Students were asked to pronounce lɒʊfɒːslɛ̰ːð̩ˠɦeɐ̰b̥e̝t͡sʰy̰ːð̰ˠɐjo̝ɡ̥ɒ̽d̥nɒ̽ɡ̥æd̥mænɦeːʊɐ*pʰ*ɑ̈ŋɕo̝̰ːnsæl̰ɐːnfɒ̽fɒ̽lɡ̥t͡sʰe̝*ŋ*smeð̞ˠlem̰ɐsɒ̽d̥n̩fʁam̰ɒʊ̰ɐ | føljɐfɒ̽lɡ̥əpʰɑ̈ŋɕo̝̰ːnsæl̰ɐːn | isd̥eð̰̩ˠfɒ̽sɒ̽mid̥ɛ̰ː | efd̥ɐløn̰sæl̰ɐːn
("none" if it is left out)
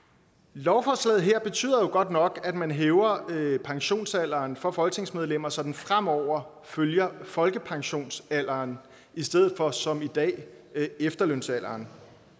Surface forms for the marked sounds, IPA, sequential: pʰ, ŋ

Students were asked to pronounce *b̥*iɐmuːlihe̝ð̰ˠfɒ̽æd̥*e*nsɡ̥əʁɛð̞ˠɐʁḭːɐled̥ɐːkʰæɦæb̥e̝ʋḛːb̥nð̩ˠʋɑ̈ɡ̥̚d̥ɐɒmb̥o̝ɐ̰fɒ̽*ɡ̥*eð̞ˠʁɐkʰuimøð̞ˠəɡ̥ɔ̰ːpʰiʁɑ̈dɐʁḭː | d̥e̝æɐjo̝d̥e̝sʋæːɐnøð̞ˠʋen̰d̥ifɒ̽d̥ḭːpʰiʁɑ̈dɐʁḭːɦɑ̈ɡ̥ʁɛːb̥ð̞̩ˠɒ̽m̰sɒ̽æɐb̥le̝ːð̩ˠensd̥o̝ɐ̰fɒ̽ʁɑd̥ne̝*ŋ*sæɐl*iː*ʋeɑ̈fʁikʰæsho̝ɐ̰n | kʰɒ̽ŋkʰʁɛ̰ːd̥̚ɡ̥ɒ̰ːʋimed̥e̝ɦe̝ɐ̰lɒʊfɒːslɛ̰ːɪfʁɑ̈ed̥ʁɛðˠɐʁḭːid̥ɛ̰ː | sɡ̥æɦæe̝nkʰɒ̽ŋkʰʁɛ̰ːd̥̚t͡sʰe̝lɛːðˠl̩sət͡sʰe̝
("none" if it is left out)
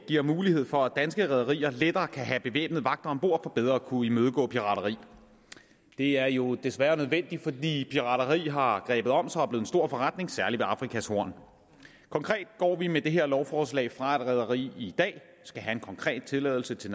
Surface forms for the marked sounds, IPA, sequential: ɡ̥, æ, b̥, ŋ, i

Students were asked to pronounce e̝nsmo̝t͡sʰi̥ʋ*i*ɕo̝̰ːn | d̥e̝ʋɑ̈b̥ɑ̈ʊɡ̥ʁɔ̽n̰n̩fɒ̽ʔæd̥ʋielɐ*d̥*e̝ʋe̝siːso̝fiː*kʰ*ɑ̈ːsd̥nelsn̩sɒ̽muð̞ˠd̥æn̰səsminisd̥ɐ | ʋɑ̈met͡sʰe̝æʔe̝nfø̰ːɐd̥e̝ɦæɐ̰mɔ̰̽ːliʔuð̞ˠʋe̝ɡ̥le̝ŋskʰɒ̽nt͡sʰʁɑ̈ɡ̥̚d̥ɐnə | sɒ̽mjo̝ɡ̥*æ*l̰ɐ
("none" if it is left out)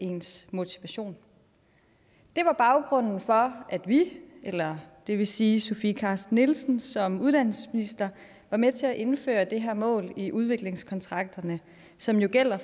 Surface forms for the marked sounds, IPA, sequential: æ, d̥, kʰ, e

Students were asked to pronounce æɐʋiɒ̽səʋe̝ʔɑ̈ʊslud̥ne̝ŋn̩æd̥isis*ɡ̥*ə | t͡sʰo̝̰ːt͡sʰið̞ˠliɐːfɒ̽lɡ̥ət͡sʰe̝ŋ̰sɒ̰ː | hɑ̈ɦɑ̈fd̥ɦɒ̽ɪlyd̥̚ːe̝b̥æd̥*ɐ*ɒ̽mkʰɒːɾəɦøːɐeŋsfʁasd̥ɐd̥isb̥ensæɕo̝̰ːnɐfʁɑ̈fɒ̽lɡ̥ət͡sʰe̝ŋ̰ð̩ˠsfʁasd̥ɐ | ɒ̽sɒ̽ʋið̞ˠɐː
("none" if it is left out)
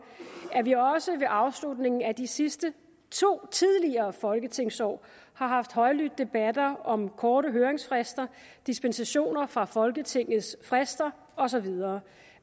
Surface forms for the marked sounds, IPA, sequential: d̥, ɐ

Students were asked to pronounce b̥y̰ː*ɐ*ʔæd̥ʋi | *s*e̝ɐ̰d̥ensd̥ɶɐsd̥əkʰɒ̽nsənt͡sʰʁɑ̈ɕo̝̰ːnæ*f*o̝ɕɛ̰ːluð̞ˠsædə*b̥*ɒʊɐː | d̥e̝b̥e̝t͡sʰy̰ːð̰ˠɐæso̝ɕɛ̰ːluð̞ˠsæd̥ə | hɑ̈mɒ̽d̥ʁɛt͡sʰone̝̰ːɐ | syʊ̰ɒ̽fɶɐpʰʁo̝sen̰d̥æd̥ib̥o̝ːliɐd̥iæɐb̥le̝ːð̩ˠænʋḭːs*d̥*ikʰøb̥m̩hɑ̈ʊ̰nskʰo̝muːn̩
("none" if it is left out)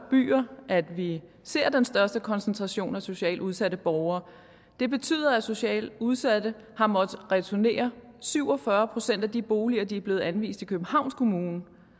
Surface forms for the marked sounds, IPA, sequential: ɐ, s, s, b̥, d̥

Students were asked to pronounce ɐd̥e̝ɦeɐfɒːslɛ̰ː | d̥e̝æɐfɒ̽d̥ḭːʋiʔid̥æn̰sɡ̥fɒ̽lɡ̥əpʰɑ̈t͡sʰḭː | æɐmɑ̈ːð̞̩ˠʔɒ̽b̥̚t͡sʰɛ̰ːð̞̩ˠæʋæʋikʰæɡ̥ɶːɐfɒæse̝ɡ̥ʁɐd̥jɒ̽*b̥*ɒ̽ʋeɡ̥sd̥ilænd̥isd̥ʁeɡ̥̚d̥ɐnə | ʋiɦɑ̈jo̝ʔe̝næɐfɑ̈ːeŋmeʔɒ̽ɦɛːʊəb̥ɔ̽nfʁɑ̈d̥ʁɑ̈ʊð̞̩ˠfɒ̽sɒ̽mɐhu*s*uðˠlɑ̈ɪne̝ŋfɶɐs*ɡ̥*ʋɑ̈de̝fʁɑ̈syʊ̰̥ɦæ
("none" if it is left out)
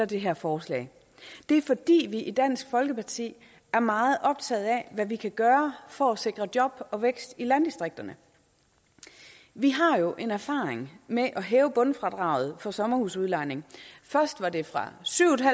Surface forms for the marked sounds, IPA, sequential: b̥, s, d̥

